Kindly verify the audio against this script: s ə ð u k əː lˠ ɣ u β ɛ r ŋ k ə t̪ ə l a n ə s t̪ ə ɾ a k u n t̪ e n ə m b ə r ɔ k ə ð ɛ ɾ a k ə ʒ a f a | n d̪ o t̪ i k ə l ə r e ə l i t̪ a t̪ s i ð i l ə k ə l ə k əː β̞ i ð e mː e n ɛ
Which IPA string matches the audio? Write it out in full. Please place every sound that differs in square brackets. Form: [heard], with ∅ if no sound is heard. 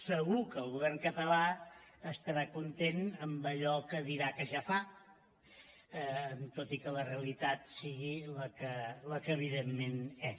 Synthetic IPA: s ə [ɣ] u k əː lˠ ɣ u β ɛ r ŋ k ə t̪ ə l a [∅] ə s t̪ ə ɾ a k u n t̪ e n ə m b ə [ʎ] ɔ k ə ð [i] ɾ a k ə ʒ a f a | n [t̪] o t̪ i k ə l ə r e ə l i t̪ a t̪ s i [ɣ] i l ə k ə l ə k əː β̞ i ð e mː e n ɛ